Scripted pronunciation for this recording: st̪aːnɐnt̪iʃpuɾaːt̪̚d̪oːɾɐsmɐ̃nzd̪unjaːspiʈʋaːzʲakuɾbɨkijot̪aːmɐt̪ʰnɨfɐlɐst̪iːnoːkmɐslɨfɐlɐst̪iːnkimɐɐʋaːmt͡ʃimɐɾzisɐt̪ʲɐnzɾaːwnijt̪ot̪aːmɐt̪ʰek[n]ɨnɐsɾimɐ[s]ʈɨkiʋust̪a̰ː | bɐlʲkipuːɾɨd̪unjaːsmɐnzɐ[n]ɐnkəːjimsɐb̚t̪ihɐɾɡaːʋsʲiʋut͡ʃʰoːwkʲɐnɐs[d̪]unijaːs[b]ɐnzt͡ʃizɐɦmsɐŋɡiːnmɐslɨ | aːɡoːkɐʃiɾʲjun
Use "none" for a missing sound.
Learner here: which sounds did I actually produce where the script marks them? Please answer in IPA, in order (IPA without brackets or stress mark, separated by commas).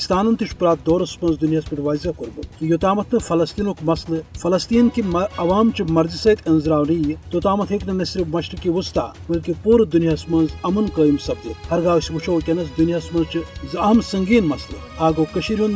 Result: n, ʃ, m, d̪, m